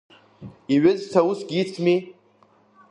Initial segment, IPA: i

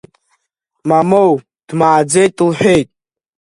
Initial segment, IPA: m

